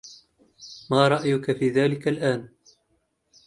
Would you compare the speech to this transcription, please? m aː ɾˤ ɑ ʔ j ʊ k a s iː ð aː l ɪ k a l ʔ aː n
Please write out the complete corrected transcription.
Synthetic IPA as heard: m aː ɾˤ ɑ ʔ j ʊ k a f iː ð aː l ɪ k a l ʔ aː n